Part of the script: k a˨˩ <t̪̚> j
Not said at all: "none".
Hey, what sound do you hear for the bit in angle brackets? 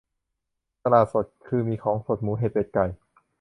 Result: none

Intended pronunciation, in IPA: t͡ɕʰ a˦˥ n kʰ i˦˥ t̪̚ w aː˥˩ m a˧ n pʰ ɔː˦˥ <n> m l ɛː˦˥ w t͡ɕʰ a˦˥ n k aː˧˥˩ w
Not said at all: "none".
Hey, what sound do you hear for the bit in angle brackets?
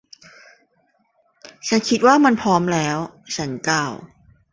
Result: none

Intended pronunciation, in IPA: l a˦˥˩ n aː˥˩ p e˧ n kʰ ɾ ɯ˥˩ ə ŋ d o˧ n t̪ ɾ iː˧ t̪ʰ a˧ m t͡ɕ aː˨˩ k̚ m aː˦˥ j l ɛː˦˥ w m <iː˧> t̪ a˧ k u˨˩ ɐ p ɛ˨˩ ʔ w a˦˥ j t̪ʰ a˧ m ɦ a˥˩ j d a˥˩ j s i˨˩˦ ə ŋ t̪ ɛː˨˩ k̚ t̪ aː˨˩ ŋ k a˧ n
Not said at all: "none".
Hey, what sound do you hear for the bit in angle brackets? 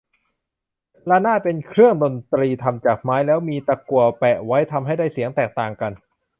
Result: iː˧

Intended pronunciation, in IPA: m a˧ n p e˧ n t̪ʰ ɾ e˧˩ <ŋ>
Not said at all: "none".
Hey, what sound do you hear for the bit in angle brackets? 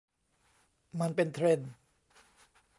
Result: n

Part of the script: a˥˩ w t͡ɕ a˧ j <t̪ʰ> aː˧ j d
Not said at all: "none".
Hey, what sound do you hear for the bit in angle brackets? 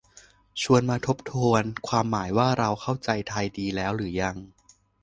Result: t̪ʰ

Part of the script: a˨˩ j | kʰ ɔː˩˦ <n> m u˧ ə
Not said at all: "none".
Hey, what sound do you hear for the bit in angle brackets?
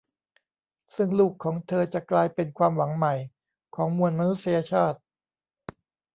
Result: ŋ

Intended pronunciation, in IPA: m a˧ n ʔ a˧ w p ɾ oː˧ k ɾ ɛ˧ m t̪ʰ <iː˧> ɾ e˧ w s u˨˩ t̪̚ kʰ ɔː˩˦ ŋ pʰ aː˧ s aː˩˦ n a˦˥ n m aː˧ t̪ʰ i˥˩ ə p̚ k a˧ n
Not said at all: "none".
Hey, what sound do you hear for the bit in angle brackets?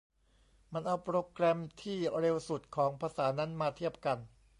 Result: iː˥˩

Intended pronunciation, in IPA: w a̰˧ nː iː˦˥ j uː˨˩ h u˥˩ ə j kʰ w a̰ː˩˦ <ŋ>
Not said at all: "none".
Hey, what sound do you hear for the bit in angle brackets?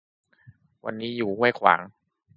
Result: ŋ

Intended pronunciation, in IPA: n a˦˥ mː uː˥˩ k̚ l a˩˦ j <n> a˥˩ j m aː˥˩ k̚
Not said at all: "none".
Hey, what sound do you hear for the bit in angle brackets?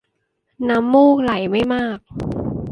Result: m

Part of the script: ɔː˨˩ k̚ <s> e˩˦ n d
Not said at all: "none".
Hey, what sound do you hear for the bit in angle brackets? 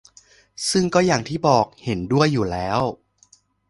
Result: h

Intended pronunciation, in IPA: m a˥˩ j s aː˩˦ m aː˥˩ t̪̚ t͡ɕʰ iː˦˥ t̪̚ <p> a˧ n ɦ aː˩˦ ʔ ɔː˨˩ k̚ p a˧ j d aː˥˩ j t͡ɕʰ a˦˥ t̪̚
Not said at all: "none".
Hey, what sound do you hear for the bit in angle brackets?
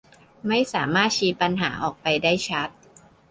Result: p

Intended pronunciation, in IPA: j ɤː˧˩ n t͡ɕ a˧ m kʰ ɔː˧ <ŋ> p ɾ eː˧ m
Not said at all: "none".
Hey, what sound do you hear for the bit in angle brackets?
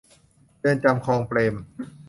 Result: ŋ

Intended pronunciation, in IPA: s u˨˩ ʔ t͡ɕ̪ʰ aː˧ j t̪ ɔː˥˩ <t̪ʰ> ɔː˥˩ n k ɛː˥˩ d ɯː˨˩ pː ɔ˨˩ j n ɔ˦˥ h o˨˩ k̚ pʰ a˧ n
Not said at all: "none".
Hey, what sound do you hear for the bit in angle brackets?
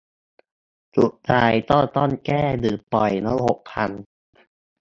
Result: t̪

